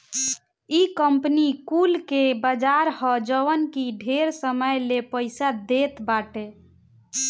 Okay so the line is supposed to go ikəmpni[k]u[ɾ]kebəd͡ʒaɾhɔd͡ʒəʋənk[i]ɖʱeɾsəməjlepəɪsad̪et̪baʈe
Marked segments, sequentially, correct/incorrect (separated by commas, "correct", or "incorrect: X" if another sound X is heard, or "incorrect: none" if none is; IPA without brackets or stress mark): correct, incorrect: l, correct